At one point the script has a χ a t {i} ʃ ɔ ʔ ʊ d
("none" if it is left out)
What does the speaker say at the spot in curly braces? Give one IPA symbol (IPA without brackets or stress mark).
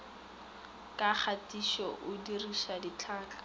i